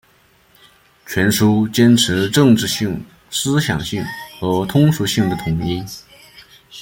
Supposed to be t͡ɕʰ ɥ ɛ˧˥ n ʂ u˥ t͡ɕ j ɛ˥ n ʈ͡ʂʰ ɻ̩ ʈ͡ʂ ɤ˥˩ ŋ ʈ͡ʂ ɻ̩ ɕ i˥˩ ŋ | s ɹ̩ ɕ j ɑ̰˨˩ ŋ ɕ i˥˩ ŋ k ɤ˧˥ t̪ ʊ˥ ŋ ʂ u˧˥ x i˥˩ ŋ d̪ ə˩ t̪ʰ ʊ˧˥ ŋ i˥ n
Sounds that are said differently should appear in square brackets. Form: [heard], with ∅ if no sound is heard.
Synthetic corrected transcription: t͡ɕʰ ɥ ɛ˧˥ n ʂ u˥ t͡ɕ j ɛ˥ n ʈ͡ʂʰ ɻ̩ ʈ͡ʂ [ɤ˥˧] ŋ ʈ͡ʂ ɻ̩ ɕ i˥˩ ŋ | s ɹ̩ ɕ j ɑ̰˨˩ ŋ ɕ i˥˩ ŋ [x] ɤ˧˥ [t̪ʰ] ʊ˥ ŋ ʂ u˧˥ [ɕ] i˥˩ ŋ d̪ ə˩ t̪ʰ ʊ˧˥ ŋ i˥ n